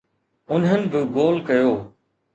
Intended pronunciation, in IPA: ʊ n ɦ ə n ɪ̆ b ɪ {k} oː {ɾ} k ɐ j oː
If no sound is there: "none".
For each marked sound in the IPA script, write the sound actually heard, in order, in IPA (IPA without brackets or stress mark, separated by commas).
ɡ, l